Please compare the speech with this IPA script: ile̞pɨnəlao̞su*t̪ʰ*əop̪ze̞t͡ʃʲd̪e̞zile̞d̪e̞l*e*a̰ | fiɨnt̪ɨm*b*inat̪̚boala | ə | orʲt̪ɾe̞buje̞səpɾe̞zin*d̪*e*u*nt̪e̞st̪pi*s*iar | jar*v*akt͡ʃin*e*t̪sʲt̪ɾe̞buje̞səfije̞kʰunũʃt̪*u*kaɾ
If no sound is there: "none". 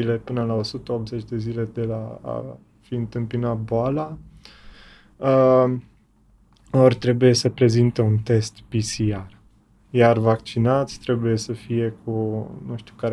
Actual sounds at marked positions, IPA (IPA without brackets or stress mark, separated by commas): t̪, a, p, t̪, u, s, v, a, u